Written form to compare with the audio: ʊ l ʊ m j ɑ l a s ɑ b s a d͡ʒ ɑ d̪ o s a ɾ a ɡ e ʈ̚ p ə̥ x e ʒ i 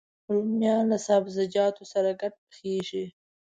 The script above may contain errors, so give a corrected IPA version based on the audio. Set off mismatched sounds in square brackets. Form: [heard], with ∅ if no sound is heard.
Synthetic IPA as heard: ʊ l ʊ m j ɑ l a s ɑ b [z] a d͡ʒ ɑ [t̪] o s a ɾ a ɡ [a] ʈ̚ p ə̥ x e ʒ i